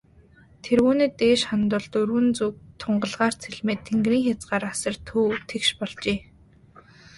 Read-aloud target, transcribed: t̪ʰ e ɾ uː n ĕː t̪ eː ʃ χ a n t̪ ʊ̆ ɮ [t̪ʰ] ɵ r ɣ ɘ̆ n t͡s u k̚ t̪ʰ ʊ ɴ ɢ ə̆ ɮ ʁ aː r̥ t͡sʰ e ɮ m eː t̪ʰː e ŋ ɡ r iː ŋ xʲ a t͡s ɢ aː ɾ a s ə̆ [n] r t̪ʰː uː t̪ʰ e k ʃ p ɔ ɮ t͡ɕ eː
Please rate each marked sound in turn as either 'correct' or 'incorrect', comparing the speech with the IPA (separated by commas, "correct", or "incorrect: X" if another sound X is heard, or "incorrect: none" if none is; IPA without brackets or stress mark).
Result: incorrect: t̪, incorrect: none